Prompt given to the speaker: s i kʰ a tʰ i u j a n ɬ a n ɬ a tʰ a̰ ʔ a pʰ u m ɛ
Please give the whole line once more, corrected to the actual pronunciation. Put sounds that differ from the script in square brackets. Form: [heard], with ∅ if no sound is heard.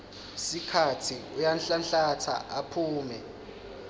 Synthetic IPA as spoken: s i kʰ a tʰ i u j a n ɬ a n ɬ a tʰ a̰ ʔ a pʰ [uː] m ɛ